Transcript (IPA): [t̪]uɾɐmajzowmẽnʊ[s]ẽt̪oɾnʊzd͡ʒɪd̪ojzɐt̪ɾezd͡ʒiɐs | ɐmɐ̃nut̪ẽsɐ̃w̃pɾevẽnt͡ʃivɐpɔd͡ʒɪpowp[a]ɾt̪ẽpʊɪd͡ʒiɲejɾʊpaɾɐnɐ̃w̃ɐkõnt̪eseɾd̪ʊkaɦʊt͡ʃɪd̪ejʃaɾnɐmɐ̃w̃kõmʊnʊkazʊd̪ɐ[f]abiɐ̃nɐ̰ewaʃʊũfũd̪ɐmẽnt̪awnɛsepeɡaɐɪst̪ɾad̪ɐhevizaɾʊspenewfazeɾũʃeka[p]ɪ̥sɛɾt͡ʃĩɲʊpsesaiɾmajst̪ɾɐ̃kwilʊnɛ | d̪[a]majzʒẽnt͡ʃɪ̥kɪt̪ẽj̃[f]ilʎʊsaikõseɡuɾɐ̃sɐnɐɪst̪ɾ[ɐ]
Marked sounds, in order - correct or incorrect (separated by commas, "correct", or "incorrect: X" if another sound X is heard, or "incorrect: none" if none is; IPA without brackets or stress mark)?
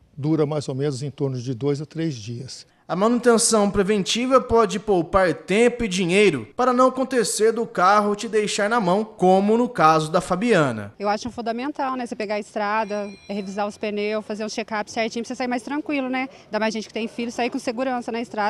incorrect: d̪, incorrect: z, correct, correct, correct, correct, correct, incorrect: a